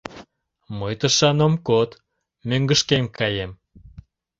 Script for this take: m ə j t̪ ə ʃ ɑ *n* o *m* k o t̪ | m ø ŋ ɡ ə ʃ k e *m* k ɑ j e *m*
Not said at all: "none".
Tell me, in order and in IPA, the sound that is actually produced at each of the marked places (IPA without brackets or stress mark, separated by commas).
n, m, m, m